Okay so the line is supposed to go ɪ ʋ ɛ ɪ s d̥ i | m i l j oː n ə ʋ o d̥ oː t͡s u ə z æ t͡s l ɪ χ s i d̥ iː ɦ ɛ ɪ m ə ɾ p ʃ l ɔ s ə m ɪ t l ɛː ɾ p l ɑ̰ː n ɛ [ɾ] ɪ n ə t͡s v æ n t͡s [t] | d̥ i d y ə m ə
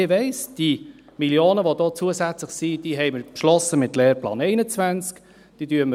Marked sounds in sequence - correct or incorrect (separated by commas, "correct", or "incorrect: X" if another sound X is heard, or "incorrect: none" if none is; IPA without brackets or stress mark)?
incorrect: none, incorrect: k